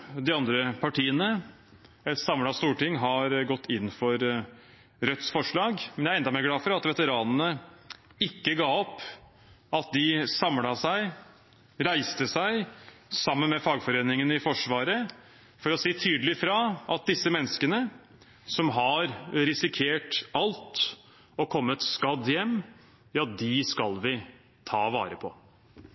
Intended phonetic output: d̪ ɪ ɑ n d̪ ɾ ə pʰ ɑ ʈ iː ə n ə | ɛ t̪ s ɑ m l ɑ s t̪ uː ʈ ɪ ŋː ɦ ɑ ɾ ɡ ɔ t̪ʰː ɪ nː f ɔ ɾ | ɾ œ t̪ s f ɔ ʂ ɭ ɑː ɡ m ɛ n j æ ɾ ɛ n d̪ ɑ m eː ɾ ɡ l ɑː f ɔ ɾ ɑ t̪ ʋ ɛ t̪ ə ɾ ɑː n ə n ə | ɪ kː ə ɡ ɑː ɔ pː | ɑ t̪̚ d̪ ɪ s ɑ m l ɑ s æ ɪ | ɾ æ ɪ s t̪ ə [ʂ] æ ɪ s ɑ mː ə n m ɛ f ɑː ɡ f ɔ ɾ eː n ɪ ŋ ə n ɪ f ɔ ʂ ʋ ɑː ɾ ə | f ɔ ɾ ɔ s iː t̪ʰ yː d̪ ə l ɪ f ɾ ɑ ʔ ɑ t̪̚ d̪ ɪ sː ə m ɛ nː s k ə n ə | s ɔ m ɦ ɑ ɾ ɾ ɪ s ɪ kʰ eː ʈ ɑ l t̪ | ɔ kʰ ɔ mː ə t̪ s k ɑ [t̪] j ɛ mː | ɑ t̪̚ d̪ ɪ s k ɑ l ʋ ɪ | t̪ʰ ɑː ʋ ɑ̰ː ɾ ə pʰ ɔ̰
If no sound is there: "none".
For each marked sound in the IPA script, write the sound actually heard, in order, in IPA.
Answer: s, d̪

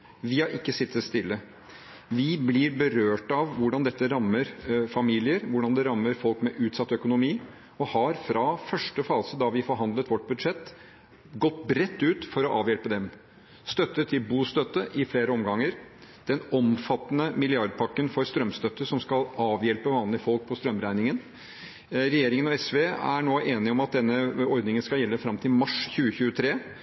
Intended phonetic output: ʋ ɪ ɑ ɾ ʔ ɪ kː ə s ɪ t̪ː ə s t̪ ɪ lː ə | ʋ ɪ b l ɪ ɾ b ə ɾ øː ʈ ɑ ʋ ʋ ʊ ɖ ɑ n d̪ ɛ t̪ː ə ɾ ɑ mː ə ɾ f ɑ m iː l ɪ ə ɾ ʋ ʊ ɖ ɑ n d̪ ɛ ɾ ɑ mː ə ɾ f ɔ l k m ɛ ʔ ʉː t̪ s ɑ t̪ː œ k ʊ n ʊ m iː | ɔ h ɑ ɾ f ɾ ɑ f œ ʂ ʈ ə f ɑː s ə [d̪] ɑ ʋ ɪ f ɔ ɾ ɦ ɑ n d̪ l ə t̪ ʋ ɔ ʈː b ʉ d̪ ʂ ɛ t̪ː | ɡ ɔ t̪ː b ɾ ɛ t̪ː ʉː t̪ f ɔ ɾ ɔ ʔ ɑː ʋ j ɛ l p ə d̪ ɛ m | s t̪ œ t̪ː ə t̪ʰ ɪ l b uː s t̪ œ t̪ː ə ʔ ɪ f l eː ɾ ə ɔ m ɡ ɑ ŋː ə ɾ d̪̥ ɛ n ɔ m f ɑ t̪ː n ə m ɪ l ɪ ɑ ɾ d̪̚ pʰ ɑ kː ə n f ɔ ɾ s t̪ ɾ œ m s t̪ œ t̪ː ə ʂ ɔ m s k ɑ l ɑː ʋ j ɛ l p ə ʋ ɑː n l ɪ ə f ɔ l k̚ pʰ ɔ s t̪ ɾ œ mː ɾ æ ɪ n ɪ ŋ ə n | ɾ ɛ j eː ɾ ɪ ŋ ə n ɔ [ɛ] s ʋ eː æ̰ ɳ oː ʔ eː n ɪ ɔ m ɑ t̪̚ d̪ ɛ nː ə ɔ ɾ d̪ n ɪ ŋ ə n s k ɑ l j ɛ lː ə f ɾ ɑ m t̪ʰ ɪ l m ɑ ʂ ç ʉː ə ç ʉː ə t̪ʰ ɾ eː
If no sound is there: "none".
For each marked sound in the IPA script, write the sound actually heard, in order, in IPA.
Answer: d̪, ɛ

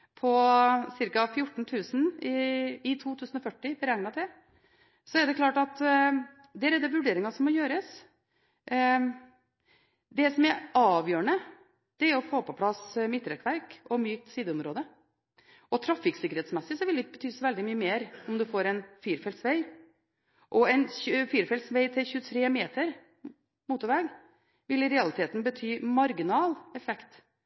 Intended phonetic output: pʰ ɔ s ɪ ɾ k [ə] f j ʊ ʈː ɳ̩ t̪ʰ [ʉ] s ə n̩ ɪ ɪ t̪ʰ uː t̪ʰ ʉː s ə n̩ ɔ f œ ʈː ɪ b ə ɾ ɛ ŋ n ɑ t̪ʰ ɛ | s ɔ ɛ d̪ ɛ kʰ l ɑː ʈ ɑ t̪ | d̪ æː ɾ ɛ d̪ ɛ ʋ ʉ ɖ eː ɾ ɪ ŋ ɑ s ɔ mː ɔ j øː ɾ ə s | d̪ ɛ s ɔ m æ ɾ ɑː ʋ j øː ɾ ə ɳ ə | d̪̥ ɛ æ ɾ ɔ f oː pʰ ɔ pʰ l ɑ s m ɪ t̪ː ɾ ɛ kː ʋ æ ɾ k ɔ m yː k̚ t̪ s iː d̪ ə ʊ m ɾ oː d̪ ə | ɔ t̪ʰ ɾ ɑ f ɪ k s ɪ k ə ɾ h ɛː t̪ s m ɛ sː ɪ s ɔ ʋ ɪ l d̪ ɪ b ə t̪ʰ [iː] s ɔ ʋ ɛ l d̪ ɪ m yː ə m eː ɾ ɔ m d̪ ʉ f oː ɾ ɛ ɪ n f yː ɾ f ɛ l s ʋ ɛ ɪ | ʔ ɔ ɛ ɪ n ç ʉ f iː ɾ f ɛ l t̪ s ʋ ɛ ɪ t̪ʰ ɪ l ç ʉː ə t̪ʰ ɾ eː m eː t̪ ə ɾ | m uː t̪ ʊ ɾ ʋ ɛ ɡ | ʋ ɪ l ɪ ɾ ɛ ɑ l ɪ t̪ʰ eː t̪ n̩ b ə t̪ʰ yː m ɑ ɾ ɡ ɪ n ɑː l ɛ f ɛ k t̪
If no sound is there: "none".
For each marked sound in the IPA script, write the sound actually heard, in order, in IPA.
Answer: ɑ, ʉː, yː

